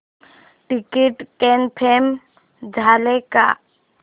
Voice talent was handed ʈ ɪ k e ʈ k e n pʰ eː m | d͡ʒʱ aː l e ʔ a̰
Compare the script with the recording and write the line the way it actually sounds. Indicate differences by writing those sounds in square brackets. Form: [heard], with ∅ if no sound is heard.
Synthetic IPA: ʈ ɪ k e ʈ k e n pʰ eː m | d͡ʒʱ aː l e [k] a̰